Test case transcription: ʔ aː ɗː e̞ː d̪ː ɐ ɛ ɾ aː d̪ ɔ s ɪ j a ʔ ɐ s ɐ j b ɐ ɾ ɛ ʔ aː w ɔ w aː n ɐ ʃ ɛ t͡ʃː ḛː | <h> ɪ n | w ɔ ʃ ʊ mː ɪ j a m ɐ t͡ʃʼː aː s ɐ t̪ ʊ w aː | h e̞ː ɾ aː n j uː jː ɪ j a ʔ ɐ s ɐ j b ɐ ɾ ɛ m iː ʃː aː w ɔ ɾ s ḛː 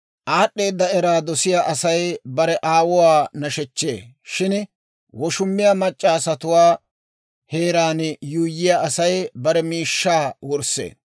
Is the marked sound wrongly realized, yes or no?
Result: yes